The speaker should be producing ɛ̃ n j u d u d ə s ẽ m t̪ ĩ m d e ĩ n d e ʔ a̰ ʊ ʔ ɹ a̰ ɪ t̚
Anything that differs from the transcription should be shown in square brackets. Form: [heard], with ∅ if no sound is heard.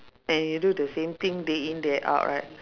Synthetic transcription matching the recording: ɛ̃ n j u d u d ə s ẽ m t̪ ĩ [ŋ] d e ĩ n d [ɛ] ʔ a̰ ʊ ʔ ɹ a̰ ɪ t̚